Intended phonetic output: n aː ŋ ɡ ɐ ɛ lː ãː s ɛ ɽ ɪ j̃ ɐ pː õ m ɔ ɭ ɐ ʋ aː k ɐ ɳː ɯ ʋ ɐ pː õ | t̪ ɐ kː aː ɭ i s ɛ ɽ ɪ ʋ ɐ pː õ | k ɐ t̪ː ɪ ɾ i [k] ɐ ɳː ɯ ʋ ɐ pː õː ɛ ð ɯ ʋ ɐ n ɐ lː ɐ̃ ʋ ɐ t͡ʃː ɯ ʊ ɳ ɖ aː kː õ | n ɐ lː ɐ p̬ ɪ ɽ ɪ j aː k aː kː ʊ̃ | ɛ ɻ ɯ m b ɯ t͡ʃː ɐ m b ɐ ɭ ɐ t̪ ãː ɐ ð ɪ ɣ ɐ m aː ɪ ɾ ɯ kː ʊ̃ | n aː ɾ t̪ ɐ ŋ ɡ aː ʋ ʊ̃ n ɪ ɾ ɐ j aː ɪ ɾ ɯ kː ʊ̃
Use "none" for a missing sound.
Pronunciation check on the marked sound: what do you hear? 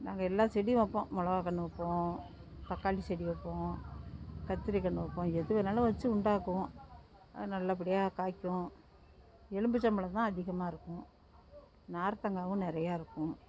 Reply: k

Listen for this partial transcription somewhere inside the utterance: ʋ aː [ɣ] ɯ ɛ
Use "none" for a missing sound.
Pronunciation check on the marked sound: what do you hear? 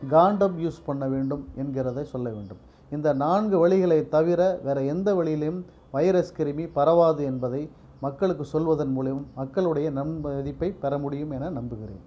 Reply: ð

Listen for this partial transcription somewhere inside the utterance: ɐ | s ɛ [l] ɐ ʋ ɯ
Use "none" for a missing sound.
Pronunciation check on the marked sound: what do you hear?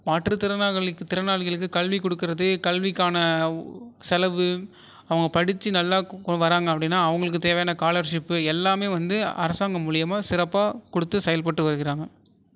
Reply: l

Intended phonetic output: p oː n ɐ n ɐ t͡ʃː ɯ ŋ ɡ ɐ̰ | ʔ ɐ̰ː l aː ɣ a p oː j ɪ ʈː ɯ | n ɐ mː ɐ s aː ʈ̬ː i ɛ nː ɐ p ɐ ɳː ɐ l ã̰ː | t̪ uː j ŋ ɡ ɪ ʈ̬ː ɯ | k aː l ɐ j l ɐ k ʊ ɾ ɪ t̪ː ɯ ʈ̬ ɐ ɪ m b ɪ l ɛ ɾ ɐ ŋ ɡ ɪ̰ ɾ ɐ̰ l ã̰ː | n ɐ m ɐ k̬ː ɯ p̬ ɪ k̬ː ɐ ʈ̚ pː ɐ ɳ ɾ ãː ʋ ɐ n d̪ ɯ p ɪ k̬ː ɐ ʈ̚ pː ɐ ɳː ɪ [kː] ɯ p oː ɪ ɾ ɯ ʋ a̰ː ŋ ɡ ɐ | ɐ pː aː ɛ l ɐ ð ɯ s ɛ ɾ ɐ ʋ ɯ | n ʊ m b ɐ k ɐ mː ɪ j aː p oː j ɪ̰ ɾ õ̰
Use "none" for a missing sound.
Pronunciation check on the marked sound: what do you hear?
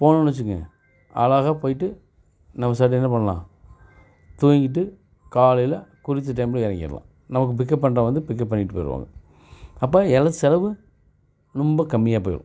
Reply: ʈː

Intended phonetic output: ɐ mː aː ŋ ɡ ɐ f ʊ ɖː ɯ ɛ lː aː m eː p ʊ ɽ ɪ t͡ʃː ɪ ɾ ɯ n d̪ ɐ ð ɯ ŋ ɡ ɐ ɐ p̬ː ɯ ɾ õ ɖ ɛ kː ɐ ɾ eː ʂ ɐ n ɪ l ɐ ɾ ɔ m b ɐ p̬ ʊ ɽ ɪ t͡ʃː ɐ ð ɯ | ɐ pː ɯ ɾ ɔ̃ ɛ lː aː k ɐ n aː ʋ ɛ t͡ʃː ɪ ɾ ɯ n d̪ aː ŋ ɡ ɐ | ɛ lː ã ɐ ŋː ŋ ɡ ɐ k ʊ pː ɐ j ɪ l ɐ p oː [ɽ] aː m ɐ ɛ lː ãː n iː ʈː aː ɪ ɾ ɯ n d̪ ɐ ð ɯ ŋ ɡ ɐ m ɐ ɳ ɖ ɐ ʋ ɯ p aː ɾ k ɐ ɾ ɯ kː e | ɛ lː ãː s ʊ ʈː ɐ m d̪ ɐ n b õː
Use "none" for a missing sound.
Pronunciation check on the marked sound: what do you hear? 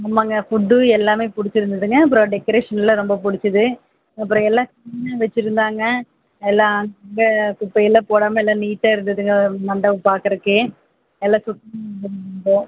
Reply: ɽ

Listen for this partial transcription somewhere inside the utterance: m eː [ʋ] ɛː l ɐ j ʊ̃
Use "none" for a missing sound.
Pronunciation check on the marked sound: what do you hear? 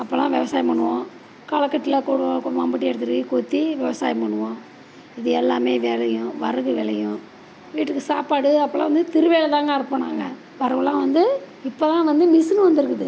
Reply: ʋ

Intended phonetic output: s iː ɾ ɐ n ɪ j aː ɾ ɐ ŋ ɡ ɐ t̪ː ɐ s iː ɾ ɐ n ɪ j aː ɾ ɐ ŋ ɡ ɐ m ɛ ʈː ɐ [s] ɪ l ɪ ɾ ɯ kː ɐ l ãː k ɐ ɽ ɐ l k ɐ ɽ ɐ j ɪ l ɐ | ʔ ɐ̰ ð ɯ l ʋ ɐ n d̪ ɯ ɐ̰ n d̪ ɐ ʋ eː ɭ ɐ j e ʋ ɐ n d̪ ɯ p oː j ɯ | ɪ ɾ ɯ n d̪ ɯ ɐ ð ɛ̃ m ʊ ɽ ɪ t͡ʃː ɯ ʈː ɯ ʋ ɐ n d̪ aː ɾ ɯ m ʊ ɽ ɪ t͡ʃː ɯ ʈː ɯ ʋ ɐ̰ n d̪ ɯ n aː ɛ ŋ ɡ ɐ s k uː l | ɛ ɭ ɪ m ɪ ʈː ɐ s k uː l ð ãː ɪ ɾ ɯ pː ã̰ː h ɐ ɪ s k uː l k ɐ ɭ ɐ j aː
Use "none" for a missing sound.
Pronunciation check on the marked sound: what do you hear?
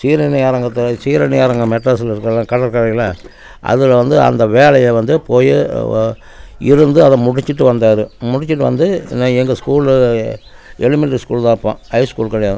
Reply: s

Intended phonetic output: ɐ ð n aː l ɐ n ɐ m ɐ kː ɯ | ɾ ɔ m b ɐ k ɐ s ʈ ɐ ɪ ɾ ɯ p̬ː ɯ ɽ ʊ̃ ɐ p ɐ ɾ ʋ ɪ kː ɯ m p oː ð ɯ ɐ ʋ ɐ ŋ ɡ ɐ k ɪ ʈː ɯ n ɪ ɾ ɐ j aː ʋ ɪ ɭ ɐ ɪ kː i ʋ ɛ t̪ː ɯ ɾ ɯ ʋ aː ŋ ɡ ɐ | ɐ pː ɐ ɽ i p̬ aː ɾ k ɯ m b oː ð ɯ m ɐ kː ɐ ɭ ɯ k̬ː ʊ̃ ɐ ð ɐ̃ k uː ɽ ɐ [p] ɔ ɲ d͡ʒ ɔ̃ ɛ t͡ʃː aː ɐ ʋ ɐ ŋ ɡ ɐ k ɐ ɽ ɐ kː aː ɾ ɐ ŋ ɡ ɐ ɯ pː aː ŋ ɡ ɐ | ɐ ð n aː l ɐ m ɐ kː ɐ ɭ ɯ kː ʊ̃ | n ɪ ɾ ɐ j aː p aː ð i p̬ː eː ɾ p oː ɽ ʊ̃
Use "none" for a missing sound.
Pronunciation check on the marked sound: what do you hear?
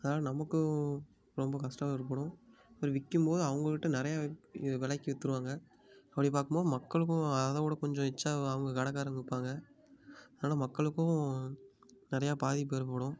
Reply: k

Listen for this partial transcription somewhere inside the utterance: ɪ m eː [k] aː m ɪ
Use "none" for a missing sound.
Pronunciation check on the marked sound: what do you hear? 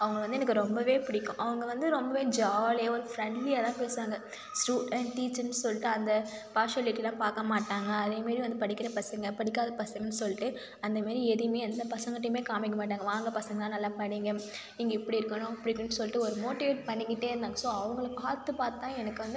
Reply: k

